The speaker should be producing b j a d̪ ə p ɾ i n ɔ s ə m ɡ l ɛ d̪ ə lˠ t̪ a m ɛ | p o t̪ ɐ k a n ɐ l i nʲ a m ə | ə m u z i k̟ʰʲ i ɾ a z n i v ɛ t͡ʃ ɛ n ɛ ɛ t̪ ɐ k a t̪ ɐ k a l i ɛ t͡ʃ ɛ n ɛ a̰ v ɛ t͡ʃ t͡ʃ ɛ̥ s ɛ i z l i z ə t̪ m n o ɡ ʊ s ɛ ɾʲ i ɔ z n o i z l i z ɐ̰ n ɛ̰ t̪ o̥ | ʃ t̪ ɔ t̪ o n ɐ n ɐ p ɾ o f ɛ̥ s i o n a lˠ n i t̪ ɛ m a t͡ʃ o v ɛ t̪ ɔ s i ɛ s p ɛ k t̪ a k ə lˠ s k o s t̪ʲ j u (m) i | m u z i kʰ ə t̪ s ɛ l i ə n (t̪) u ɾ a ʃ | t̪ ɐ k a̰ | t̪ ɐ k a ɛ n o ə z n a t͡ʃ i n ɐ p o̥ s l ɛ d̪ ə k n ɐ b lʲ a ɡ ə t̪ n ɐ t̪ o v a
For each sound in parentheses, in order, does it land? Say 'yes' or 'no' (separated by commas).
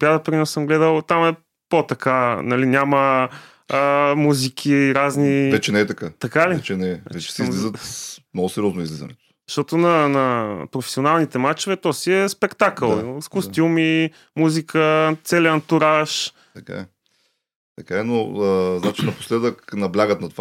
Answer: yes, yes